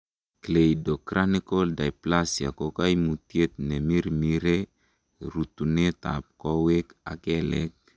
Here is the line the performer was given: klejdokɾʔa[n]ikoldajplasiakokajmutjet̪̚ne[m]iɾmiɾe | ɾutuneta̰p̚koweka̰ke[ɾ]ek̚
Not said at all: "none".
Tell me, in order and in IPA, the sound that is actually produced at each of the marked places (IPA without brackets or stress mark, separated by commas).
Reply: n, m, l